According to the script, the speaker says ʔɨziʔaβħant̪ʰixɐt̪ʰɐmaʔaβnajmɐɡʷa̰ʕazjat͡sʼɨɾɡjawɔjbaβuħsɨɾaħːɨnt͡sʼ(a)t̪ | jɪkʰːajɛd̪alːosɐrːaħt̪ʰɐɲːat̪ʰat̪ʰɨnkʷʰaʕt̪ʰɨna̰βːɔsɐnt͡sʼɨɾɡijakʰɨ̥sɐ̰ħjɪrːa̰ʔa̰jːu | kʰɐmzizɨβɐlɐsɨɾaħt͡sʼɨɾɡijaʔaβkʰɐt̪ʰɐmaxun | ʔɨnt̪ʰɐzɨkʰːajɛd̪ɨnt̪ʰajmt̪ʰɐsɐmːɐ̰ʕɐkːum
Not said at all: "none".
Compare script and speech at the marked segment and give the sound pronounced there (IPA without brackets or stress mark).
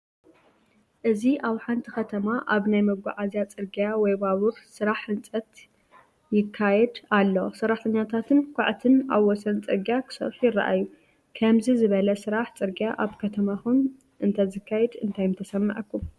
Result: ɐ